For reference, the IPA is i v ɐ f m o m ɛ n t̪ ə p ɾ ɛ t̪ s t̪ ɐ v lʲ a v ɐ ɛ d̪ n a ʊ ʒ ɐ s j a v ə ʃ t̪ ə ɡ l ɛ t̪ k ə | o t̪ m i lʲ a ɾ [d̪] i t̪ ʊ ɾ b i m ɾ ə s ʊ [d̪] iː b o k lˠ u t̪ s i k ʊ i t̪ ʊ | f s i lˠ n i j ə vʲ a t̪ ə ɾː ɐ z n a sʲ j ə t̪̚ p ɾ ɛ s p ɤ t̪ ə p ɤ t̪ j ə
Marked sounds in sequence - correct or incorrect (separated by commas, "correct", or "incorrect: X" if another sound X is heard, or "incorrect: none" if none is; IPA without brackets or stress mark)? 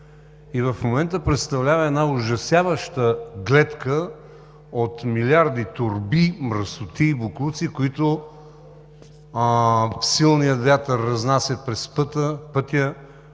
correct, incorrect: t̪